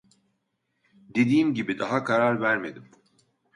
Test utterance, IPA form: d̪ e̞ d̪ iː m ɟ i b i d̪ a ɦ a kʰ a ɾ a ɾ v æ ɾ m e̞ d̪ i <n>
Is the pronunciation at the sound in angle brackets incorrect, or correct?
incorrect